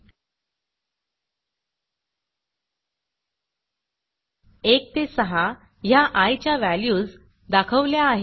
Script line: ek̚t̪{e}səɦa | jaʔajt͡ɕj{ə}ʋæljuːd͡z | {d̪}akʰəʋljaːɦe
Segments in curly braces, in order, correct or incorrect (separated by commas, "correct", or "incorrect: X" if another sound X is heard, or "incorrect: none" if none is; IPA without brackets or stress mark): correct, incorrect: a, correct